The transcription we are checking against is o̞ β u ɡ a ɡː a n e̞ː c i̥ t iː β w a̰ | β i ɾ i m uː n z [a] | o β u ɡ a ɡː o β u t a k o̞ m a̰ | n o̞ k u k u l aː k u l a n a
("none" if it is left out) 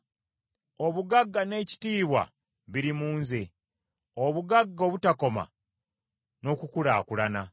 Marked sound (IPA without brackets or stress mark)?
e